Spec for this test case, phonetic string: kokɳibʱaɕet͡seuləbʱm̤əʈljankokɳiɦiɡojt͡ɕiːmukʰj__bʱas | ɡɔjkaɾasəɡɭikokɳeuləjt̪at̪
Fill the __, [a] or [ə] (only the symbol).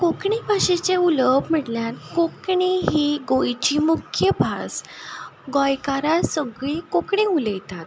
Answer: ə